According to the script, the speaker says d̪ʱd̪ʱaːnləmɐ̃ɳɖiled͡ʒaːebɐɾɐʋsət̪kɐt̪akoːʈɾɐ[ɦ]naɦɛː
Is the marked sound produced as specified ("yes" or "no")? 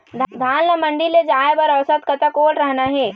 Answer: yes